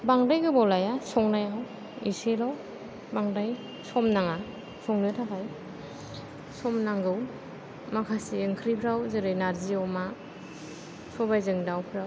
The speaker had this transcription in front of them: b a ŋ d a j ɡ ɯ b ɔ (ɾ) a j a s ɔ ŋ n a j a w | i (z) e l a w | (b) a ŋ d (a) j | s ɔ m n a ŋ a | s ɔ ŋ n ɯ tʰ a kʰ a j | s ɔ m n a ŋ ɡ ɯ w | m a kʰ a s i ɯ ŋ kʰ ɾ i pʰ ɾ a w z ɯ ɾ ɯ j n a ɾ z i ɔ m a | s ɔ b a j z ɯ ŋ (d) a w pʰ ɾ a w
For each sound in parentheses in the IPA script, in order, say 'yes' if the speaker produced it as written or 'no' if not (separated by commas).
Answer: no, no, yes, yes, yes